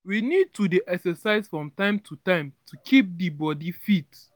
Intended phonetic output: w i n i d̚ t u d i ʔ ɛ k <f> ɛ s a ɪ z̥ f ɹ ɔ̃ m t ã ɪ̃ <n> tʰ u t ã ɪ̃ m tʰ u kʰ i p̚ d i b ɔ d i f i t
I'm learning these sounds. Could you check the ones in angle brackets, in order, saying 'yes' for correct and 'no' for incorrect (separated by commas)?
no, no